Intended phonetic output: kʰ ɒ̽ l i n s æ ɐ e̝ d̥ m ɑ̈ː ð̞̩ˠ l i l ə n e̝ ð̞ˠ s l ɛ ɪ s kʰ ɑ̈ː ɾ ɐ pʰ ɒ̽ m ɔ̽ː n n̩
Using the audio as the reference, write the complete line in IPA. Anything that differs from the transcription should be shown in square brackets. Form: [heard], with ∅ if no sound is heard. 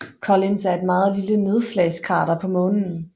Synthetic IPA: kʰ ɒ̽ l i n s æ ɐ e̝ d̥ m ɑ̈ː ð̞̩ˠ l i l ə n e̝ ð̞ˠ s l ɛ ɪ s kʰ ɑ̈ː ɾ ɐ pʰ ɒ̽ m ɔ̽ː n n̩